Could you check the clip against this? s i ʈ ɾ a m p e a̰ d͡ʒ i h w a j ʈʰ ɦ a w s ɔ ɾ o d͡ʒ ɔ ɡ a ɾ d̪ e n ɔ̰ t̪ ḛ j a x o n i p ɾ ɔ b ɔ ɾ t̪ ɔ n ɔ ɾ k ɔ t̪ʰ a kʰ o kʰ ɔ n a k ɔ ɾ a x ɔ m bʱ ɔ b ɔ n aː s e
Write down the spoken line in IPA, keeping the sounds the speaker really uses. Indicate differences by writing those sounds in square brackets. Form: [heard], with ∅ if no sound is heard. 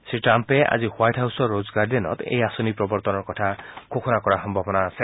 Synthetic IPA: s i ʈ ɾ a m p e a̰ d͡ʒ i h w a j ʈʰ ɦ a w s ɔ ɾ o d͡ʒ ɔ ɡ a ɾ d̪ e n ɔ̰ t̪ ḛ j a [s] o n i p ɾ ɔ b ɔ ɾ t̪ ɔ n ɔ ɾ k ɔ t̪ʰ a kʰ o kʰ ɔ n a k ɔ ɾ a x ɔ m bʱ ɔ b ɔ n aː s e